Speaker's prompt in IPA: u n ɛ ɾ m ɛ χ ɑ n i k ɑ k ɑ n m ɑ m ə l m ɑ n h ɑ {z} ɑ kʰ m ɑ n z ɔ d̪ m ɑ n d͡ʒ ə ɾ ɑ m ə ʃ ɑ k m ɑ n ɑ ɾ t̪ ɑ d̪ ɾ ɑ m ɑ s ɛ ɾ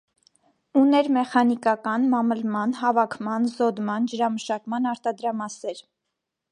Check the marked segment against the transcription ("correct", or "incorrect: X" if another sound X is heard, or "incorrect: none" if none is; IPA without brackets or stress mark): incorrect: v